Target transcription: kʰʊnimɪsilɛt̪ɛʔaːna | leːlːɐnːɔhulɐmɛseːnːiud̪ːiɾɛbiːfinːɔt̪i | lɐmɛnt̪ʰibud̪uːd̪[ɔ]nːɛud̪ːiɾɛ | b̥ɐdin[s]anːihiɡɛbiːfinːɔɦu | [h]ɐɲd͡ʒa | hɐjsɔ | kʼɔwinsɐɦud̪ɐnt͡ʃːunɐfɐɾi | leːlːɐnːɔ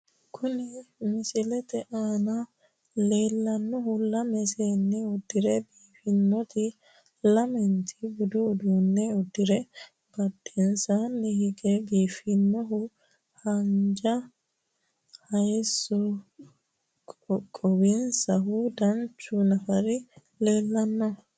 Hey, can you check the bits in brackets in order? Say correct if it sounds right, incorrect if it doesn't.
incorrect: u, correct, correct

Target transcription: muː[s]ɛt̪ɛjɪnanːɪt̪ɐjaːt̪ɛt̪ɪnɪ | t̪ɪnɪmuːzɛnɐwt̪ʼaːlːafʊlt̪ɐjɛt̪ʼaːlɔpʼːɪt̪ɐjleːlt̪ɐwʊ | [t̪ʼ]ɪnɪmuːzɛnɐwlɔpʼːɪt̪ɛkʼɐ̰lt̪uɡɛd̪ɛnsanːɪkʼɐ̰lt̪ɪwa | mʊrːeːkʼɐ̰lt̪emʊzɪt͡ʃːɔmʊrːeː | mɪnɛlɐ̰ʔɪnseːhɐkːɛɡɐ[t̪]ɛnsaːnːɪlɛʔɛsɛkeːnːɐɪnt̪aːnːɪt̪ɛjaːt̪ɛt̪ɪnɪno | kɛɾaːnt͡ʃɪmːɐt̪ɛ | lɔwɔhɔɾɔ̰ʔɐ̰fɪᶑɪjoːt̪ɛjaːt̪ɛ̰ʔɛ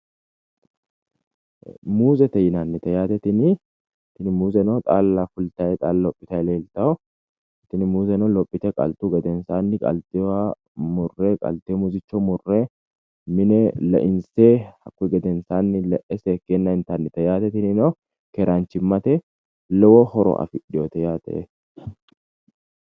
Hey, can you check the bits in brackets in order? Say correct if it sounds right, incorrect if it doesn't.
incorrect: z, incorrect: t̪, incorrect: d̪

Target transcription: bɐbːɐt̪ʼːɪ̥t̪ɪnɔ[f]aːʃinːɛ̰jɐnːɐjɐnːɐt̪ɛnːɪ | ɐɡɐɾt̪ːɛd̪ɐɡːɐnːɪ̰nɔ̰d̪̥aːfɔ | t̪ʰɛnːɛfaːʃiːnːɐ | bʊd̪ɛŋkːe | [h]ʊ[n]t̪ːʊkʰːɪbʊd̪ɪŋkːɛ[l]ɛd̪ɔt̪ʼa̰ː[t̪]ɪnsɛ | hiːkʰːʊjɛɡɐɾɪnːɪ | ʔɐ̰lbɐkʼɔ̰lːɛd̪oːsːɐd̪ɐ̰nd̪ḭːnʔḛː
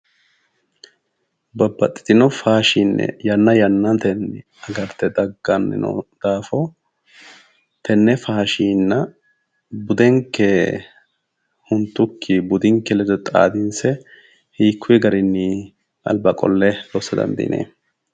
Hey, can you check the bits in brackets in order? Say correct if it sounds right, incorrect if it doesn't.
correct, correct, correct, correct, incorrect: d̪

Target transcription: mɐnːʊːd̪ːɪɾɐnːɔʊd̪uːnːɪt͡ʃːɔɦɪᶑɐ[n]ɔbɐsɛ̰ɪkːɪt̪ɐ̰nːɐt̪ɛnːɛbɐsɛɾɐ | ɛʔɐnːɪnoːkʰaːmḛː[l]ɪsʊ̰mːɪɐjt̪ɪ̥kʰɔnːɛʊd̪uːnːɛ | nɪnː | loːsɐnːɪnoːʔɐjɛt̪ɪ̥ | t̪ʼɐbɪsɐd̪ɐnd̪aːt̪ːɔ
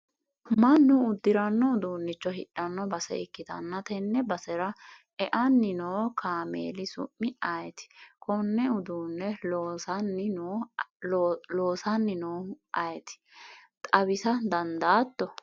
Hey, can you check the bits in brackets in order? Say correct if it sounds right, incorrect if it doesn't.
incorrect: nː, correct

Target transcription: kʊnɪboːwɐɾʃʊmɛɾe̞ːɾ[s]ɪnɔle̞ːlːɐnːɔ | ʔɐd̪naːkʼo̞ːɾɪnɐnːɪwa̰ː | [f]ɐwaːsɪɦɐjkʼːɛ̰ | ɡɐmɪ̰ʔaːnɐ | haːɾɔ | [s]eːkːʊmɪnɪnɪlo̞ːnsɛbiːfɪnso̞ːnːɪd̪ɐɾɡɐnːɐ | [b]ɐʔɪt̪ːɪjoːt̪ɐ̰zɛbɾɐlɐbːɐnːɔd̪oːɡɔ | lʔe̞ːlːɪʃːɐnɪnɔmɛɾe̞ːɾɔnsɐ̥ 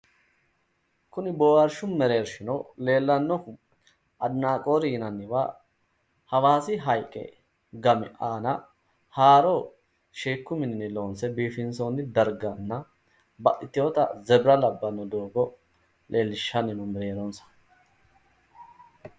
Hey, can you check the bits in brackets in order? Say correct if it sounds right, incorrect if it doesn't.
incorrect: ʃ, incorrect: h, incorrect: ʃ, correct

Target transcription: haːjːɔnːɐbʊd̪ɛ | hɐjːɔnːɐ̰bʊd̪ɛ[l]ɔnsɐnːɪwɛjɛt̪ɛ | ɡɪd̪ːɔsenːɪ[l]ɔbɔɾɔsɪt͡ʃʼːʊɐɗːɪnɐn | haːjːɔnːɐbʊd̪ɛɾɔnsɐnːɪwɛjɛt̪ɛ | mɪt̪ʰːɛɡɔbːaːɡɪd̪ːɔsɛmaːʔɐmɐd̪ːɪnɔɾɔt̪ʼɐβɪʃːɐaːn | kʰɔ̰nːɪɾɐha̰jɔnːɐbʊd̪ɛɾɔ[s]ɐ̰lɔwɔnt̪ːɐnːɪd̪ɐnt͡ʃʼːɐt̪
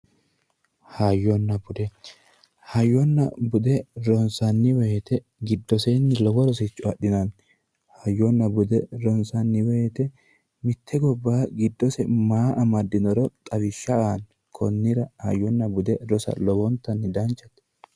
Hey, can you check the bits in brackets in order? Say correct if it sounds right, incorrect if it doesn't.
incorrect: ɾ, correct, correct

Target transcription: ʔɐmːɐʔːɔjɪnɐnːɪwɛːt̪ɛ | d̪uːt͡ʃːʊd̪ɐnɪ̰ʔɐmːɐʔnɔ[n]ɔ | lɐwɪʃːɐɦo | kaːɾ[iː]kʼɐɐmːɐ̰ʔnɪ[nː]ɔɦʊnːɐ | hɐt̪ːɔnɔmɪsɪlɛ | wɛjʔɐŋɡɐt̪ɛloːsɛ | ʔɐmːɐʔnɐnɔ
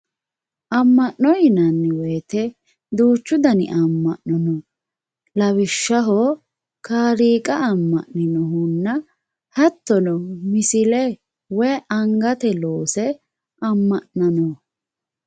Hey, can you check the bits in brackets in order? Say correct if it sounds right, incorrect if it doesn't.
correct, correct, incorrect: n

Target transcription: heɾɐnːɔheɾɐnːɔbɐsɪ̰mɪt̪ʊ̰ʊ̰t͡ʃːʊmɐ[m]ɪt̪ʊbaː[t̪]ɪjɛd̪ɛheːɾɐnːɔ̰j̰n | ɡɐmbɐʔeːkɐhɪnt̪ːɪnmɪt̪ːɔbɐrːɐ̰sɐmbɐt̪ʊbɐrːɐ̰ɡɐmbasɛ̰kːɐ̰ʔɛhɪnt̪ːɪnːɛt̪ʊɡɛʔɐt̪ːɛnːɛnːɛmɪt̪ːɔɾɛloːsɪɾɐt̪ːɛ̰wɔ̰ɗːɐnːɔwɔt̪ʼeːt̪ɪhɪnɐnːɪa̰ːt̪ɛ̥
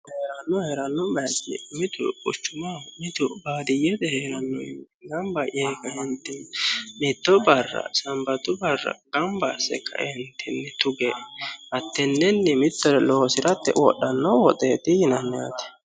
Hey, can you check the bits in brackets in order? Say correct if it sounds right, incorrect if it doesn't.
correct, incorrect: d̪

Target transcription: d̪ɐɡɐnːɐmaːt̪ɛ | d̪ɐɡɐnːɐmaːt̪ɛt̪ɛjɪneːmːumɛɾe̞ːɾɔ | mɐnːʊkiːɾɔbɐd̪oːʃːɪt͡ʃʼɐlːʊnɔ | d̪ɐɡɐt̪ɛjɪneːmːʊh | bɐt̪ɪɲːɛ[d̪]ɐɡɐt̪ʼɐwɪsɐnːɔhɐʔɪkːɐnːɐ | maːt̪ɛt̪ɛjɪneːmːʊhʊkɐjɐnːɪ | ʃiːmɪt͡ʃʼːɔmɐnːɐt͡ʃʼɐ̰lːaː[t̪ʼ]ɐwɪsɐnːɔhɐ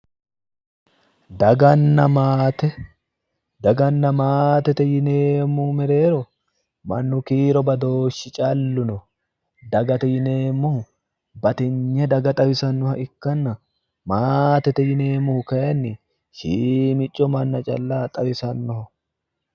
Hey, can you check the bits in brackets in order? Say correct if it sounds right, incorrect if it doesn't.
correct, correct

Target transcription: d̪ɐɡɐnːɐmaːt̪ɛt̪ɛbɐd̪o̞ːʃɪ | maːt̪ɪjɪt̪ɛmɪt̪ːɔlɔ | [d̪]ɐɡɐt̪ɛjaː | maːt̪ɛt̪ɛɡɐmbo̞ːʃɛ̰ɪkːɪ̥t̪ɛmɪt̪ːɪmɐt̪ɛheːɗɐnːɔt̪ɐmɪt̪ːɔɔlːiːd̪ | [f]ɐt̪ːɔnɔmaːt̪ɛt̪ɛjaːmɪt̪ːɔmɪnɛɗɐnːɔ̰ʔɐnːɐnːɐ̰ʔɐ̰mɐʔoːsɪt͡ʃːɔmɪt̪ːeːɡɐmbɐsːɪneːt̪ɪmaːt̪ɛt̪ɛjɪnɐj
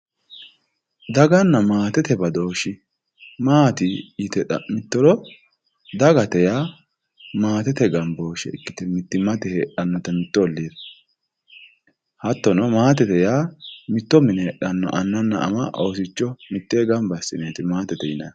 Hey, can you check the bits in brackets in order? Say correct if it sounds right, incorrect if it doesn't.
correct, incorrect: h

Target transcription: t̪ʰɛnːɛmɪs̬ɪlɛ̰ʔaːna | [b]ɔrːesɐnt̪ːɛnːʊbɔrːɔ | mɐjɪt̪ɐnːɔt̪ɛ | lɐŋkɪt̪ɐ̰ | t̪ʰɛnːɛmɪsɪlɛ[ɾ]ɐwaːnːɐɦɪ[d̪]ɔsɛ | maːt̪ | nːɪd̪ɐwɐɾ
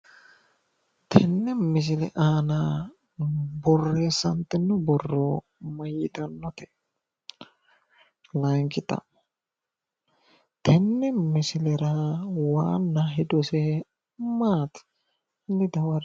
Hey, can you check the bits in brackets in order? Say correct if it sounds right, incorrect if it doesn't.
correct, correct, correct

